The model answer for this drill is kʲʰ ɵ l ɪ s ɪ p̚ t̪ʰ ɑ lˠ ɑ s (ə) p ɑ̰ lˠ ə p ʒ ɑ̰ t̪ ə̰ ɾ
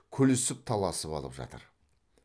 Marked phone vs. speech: correct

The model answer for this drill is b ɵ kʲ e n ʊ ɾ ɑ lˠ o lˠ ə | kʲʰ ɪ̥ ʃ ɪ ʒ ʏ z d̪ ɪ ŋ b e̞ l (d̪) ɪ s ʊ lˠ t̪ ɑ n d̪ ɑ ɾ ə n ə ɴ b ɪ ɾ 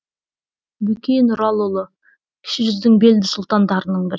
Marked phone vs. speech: correct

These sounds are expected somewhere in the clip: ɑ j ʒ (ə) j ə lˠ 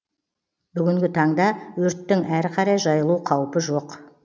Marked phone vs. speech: incorrect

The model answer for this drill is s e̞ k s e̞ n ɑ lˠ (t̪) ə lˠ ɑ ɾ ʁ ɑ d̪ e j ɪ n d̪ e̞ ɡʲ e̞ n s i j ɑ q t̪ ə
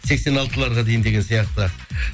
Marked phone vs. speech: correct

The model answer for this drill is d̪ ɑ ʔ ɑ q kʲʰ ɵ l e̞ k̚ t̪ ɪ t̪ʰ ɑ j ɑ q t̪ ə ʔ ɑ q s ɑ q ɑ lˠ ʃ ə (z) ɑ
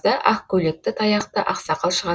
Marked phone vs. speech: incorrect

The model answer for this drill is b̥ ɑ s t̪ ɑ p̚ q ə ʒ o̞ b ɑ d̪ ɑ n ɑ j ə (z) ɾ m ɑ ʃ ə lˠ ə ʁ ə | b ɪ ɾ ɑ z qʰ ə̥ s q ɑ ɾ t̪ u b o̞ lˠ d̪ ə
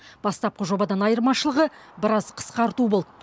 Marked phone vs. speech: incorrect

